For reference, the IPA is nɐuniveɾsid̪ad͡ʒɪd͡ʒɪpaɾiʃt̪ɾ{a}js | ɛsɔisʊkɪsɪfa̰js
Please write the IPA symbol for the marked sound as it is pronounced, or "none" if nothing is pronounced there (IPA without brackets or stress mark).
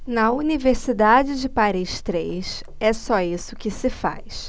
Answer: e